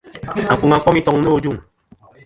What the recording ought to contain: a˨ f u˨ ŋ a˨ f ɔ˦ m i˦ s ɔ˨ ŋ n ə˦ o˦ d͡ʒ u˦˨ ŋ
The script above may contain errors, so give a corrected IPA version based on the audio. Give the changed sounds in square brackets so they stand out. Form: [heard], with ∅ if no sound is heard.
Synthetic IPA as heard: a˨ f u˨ ŋ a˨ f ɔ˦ m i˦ [t] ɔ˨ ŋ n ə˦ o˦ d͡ʒ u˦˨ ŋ